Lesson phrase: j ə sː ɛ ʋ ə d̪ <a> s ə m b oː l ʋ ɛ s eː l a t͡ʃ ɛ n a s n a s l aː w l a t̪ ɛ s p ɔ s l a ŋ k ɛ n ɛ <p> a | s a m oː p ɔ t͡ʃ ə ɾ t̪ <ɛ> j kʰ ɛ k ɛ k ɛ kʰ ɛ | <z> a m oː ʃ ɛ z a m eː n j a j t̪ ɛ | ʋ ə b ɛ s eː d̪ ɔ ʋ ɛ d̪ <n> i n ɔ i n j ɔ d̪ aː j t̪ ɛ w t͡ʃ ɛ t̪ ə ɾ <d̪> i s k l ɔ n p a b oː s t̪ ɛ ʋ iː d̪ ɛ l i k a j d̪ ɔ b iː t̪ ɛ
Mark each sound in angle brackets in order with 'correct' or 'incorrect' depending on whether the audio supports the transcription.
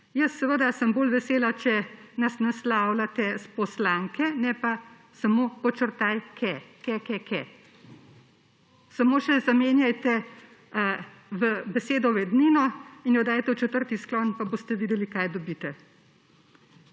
correct, correct, incorrect: a, incorrect: s, correct, incorrect: t̪

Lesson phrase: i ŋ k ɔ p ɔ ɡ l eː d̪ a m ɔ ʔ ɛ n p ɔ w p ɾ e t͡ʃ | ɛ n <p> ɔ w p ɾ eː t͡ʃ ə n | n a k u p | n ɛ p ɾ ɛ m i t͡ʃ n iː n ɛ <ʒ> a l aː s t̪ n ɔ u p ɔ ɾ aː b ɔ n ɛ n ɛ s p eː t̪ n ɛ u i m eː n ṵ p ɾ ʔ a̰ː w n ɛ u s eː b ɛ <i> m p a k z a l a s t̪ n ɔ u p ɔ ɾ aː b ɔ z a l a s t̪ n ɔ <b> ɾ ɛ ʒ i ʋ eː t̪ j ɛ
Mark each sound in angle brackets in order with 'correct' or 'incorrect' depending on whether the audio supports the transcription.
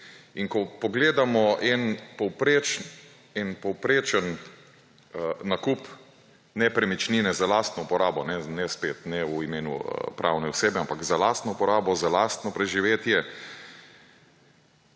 correct, incorrect: z, incorrect: a, incorrect: p

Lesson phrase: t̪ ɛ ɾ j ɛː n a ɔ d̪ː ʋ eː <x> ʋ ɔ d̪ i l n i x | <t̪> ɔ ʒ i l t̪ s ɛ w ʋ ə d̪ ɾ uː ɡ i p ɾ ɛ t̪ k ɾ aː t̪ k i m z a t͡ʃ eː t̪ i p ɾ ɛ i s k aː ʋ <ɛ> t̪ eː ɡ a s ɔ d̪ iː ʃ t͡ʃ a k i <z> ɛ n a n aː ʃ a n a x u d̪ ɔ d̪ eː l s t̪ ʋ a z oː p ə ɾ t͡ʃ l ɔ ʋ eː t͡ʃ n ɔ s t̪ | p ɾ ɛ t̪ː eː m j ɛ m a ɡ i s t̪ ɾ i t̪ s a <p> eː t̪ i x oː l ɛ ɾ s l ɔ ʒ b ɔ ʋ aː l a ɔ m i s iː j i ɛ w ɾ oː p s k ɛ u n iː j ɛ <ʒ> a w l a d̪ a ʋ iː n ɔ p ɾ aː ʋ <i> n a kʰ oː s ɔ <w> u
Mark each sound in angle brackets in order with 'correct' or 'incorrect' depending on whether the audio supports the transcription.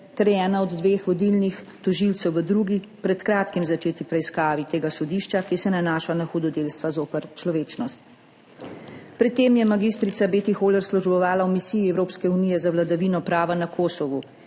correct, correct, incorrect: i, incorrect: s, incorrect: b, incorrect: z, incorrect: a, incorrect: ʋ

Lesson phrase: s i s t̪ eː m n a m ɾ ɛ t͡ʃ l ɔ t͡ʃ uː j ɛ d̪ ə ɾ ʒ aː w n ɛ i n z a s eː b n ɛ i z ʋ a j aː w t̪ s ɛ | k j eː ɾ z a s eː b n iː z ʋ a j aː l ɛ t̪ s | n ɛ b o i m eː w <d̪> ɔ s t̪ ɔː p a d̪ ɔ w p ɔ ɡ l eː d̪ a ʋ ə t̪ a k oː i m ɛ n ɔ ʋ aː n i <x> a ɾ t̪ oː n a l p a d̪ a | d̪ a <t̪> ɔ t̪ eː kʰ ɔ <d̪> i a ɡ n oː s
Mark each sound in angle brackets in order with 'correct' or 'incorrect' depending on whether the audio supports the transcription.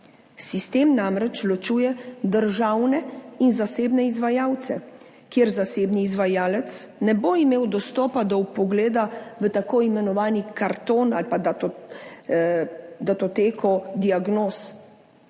correct, incorrect: k, correct, correct

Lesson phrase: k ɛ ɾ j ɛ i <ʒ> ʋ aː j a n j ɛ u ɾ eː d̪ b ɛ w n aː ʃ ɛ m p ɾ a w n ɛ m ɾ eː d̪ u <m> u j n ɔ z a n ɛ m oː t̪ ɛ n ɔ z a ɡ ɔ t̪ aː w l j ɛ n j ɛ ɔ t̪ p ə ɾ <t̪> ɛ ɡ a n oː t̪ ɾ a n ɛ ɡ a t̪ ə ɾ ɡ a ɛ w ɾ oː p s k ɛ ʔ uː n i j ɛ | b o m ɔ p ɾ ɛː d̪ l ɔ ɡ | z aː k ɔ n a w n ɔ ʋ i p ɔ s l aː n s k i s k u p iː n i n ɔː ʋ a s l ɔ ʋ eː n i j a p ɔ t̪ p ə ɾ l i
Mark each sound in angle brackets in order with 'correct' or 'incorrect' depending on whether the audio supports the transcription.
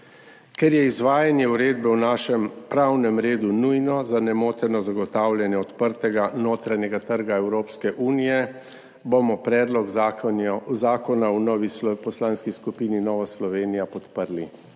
incorrect: z, incorrect: n, correct

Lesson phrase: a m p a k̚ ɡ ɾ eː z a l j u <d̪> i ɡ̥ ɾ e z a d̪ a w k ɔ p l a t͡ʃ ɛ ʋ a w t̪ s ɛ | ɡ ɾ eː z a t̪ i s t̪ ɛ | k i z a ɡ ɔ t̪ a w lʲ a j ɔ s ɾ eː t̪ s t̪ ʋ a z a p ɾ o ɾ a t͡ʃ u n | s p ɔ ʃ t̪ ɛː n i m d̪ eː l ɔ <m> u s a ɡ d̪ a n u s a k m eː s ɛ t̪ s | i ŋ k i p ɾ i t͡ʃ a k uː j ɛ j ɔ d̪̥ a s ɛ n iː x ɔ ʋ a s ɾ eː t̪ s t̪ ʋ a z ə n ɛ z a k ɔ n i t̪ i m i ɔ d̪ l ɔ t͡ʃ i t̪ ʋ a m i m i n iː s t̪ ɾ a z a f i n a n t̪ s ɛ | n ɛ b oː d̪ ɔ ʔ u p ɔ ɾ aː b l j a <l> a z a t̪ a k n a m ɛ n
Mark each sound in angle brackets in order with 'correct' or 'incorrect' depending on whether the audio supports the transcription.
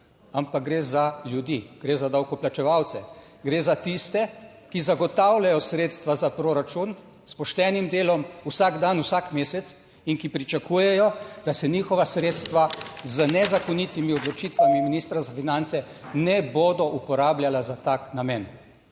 correct, correct, correct

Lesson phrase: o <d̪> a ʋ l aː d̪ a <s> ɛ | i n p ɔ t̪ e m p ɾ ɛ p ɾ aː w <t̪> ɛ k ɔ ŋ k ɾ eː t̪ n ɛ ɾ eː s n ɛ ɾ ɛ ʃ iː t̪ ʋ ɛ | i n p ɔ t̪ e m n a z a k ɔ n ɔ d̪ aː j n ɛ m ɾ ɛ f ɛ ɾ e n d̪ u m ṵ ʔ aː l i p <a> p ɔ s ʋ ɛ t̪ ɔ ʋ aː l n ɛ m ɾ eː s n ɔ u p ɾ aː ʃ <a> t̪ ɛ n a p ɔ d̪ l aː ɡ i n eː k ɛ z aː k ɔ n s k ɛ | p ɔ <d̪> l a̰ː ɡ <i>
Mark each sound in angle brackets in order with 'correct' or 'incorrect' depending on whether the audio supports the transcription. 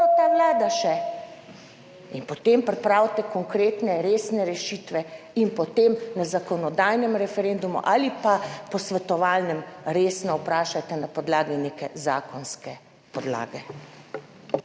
incorrect: t̪, incorrect: ʃ, correct, correct, correct, correct, incorrect: ɛ

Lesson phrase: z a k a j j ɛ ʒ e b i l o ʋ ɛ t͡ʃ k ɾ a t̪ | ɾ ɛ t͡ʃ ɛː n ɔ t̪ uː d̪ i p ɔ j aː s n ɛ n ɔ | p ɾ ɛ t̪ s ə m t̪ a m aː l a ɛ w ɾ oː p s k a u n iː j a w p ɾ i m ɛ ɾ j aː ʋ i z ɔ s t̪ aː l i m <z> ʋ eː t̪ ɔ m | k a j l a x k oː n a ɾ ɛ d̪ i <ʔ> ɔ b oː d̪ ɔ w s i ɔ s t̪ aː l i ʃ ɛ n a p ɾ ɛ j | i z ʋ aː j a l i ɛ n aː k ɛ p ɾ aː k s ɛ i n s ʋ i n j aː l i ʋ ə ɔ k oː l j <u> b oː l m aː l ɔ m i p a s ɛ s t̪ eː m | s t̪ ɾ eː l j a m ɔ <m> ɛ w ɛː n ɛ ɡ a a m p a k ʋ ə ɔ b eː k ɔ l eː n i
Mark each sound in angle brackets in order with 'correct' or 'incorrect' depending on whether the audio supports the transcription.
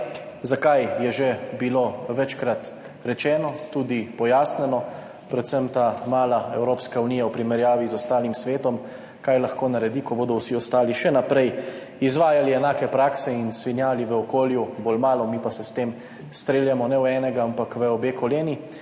incorrect: s, incorrect: k, correct, incorrect: n

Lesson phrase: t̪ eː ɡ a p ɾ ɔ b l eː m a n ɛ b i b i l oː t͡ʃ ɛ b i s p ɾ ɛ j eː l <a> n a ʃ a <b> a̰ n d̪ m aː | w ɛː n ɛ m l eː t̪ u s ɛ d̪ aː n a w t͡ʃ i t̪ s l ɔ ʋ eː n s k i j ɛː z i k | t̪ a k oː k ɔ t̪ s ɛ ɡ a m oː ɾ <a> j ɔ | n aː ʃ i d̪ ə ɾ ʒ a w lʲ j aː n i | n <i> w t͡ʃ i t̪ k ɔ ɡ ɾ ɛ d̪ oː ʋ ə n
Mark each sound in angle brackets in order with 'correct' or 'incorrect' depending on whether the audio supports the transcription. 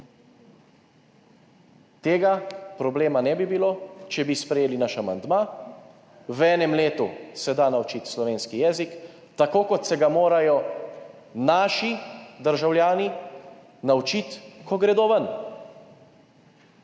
incorrect: i, incorrect: m, correct, incorrect: a

